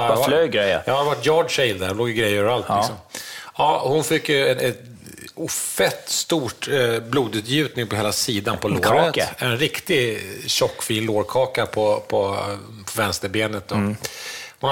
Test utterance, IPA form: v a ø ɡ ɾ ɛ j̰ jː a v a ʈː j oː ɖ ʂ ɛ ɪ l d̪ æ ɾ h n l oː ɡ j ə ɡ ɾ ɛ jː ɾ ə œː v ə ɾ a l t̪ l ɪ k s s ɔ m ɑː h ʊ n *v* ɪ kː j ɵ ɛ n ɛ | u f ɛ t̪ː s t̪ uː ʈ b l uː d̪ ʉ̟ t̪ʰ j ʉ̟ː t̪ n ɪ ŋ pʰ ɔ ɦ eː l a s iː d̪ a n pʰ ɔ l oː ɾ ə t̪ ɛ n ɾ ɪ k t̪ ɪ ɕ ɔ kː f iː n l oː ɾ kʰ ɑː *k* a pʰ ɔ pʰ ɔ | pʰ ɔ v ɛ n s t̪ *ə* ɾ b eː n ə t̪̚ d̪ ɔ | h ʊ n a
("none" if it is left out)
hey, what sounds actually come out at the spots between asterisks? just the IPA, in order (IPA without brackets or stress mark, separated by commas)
f, k, ə